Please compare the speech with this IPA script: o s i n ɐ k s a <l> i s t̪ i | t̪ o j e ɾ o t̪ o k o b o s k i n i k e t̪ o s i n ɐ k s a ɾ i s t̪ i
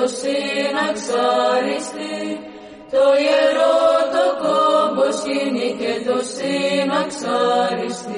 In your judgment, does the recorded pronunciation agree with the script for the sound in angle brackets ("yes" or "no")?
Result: no